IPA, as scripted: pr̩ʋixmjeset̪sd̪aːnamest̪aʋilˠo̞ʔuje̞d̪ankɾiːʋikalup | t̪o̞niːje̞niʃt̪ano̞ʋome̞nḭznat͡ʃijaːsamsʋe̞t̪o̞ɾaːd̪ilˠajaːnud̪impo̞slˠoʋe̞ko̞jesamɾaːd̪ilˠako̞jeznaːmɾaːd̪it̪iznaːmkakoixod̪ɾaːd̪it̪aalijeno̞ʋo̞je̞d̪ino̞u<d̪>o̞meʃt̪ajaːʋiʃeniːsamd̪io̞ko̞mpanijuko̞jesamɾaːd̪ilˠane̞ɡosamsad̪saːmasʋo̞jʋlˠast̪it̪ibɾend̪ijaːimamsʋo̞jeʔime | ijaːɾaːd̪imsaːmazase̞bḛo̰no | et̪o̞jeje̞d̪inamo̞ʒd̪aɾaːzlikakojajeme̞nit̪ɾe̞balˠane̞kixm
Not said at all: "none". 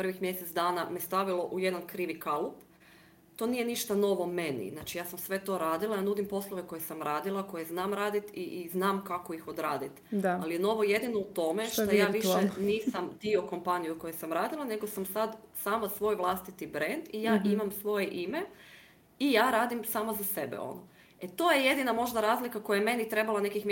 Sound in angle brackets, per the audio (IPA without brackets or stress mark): t̪